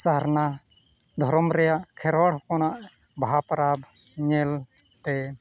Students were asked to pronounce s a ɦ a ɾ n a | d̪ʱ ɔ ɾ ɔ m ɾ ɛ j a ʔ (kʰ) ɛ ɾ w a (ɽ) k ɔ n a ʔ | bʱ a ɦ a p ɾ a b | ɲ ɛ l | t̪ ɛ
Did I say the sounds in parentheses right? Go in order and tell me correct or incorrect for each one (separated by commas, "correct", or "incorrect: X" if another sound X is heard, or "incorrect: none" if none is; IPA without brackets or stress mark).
correct, correct